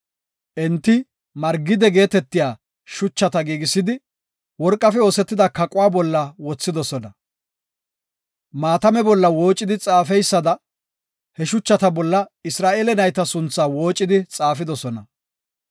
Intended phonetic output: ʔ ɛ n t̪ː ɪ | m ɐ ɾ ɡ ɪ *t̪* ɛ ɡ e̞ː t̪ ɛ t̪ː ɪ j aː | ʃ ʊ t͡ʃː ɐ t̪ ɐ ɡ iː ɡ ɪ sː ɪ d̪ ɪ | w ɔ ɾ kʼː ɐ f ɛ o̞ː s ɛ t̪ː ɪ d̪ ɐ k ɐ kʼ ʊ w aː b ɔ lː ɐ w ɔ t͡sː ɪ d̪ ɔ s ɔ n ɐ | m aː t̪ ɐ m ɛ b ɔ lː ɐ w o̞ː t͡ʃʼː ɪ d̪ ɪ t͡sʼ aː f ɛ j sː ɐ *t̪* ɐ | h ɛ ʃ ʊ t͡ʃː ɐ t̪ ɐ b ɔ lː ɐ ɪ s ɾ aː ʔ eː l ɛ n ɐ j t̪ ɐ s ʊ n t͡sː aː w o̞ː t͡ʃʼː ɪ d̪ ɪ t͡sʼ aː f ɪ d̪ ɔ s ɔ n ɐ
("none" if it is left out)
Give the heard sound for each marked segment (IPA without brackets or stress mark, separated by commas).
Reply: d̪, d̪